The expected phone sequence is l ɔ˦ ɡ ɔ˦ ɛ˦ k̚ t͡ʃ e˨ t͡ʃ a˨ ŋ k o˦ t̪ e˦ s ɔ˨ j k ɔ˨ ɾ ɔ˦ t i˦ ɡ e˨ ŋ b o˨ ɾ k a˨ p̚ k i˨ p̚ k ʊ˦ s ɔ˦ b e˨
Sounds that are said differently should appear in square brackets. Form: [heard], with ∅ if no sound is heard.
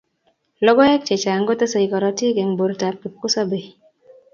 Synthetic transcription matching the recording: l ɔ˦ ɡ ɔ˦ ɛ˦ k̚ t͡ʃ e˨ t͡ʃ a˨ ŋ [ɡ] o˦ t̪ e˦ s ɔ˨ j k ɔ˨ ɾ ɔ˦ t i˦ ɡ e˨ ŋ b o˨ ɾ [t] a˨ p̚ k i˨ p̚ k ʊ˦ s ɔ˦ b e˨